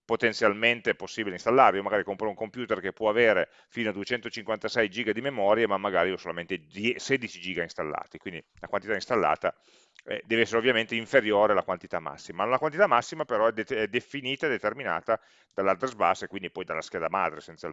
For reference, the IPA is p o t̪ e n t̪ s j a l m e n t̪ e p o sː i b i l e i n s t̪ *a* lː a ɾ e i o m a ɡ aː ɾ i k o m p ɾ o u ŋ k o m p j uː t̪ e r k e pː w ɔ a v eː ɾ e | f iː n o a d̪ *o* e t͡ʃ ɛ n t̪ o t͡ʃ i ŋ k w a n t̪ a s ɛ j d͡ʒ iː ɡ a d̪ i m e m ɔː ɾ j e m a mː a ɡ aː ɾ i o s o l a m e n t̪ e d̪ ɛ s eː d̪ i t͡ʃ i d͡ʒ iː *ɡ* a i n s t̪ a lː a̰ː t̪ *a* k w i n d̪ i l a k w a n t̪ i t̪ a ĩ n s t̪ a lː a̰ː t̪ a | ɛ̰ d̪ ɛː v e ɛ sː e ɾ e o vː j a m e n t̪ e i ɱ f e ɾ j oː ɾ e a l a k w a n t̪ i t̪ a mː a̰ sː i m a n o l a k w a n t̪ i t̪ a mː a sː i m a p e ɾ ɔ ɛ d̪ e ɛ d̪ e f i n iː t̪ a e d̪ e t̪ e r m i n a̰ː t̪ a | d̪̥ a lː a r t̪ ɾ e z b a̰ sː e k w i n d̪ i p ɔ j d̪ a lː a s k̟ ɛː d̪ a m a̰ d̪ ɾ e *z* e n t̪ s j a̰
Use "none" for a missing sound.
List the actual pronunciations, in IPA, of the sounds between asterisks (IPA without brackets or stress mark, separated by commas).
a, u, ɡ, i, s